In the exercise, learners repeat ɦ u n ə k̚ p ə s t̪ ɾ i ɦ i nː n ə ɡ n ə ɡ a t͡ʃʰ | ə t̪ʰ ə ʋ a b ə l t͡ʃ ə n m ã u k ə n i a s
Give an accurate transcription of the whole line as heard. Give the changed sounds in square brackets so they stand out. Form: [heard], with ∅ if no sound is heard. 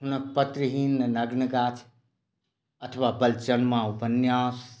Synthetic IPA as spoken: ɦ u n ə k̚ p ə [∅] t̪ ɾ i ɦ i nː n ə ɡ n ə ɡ a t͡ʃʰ | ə t̪ʰ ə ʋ a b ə l t͡ʃ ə n m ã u [p] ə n [j] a s